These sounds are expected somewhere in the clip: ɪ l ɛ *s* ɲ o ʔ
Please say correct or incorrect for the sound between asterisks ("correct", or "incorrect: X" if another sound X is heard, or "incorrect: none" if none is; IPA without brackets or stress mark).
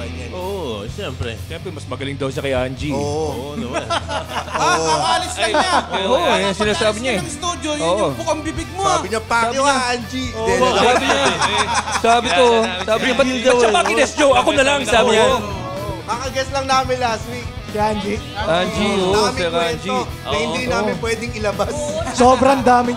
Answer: correct